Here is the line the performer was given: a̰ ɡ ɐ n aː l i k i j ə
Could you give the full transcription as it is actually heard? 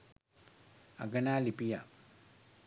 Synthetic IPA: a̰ ɡ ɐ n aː l i p i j a

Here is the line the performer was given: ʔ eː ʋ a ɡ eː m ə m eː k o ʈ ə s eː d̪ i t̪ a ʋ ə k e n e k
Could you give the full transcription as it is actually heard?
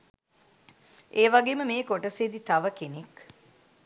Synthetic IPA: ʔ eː ʋ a ɡ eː m ə m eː k o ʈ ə s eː d̪ i t̪ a ʋ ə k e n e k

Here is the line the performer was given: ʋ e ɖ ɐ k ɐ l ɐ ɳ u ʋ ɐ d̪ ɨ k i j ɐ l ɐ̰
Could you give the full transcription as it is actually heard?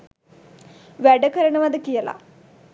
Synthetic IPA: ʋ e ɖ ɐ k ɐ ɾ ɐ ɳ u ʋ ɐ d̪ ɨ k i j ɐ l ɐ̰

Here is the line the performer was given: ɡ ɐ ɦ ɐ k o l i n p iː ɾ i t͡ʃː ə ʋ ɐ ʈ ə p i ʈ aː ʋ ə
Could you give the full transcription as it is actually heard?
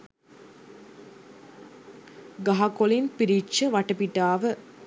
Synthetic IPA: ɡ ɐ ɦ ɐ k o l i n p i ɾ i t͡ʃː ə ʋ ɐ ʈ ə p i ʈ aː ʋ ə

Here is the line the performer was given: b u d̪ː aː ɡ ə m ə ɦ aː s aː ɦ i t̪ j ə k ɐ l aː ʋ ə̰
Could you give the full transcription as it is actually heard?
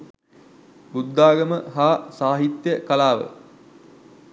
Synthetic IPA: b u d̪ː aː ɡ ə m ə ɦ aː s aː ɦ i t̪ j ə k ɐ l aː ʋ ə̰

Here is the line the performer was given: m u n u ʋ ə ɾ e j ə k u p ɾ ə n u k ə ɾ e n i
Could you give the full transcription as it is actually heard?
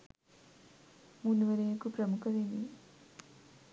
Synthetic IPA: m u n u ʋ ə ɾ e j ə k u p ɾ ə m u k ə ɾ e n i

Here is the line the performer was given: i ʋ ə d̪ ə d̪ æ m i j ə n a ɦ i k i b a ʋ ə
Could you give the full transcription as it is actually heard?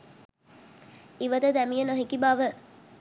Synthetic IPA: i ʋ ə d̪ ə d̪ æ m i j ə n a ɦ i k i b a ʋ ə

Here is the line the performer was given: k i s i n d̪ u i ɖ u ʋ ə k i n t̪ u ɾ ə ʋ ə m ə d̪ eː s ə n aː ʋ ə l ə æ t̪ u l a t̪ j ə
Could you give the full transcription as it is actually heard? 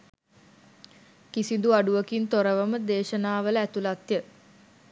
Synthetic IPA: k i s i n d̪ u a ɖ u ʋ ə k i n t̪ o ɾ ə ʋ ə m ə d̪ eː ʃ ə n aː ʋ ə l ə æ t̪ u l a t̪ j ə

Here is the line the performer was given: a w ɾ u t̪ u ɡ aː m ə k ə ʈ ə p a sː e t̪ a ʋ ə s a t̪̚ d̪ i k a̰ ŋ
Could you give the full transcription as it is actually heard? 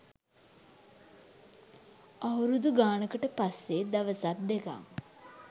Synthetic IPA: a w ɾ u d̪ u ɡ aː n ə k ə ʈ ə p a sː e d̪ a ʋ ə s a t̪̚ d̪ e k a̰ ŋ

